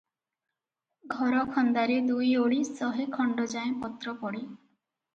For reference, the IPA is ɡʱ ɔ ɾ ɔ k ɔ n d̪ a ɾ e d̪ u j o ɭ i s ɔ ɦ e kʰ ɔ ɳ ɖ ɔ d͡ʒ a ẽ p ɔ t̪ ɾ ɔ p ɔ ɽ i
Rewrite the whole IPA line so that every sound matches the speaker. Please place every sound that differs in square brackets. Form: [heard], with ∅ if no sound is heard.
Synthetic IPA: ɡʱ ɔ ɾ ɔ [kʰ] ɔ n d̪ a ɾ e d̪ u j o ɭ i s ɔ ɦ e kʰ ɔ ɳ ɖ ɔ d͡ʒ a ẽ p ɔ t̪ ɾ ɔ p ɔ ɽ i